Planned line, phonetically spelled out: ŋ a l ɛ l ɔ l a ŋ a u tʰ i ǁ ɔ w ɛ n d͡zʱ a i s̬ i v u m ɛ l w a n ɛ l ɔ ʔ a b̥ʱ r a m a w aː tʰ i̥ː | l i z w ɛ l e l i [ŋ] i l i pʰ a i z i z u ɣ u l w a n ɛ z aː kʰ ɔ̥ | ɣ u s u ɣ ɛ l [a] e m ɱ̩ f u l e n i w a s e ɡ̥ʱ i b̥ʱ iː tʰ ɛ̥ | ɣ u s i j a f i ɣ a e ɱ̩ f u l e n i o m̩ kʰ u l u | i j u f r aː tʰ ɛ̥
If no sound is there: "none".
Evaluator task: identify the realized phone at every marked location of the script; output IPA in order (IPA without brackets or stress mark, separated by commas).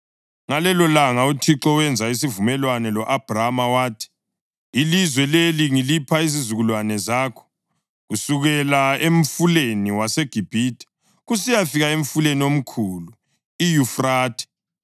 ŋ, a